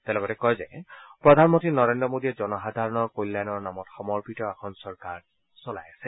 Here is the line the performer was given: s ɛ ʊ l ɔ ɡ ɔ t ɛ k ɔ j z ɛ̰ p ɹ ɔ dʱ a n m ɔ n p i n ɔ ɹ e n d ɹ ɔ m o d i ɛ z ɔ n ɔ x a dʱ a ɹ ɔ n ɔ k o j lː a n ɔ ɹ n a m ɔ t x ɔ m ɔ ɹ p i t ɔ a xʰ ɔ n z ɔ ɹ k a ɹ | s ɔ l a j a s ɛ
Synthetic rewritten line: t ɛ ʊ l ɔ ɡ ɔ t ɛ k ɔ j z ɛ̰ p ɹ ɔ dʱ a n m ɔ n t i n ɔ ɹ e n d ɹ ɔ m o d i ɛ z ɔ n ɔ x a dʱ a ɹ ɔ n ɔ k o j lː a n ɔ ɹ n a m ɔ t x ɔ m ɔ ɹ p i t ɔ a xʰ ɔ n s ɔ ɹ k a ɹ | s ɔ l a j a s ɛ

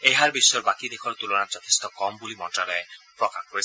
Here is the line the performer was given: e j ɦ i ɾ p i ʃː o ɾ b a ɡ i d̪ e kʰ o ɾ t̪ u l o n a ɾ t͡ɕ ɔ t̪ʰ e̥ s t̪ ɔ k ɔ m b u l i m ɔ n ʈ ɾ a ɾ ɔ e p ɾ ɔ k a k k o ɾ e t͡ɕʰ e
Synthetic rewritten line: e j ɦ a ɾ b i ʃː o ɾ b a k i d̪ e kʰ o ɾ t̪ u l o n a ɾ t͡ɕ ɔ t̪ʰ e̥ s t̪ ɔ k ɔ m b u l i m ɔ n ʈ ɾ a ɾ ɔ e p ɾ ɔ k a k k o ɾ e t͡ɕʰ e

